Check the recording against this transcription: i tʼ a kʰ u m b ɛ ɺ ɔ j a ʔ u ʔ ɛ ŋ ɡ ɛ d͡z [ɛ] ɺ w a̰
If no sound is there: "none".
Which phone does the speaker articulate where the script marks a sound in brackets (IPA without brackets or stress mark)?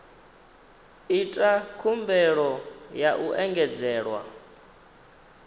ɛː